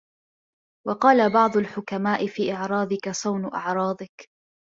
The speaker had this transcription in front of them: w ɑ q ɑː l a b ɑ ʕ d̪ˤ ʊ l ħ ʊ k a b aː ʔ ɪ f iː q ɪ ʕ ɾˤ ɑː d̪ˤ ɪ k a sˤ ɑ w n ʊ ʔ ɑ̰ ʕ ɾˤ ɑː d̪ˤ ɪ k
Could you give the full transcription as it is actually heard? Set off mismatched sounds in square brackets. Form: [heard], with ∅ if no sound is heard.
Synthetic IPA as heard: w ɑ q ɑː l a b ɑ ʕ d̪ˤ ʊ l ħ ʊ k a [m] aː ʔ ɪ f iː [ʔ] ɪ ʕ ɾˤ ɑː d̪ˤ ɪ k a sˤ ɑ w n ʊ ʔ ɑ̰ ʕ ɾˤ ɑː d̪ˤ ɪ k